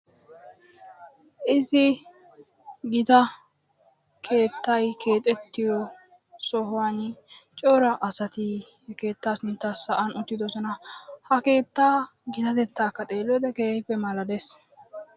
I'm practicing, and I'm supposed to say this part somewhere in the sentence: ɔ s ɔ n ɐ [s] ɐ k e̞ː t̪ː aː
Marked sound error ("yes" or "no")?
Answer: yes